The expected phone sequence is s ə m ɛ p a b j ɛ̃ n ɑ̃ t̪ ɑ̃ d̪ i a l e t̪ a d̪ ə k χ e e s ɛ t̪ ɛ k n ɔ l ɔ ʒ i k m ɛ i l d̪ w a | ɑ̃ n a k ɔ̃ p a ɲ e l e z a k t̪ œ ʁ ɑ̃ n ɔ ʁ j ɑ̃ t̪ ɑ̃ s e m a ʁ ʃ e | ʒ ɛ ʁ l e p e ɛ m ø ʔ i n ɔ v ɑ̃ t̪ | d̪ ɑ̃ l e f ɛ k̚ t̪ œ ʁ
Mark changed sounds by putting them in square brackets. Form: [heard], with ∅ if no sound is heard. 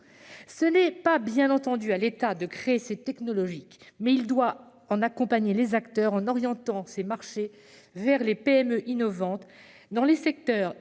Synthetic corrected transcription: s ə [n] ɛ p a b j ɛ̃ n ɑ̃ t̪ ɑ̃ d̪ [y] a l e t̪ a d̪ ə k χ e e s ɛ t̪ ɛ k n ɔ l ɔ ʒ i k m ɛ i l d̪ w a | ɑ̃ n a k ɔ̃ p a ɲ e l e z a k t̪ œ ʁ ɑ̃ n ɔ ʁ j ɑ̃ t̪ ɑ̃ s e m a ʁ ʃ e | [v] ɛ ʁ l e p e ɛ m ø ʔ i n ɔ v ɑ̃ t̪ | d̪ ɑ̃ l e [s] ɛ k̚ t̪ œ ʁ